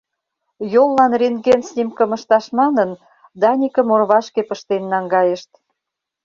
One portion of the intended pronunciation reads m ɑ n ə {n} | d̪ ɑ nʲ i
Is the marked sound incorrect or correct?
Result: correct